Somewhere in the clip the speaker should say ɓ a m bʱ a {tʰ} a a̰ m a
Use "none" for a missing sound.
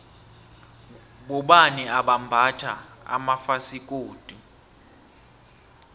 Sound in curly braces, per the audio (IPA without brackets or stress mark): tʰ